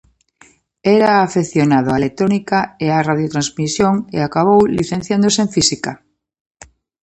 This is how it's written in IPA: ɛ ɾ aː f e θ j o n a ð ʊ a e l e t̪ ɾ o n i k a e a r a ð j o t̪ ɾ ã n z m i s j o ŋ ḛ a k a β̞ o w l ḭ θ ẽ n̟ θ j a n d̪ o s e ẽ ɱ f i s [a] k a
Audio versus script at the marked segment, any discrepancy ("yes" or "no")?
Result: yes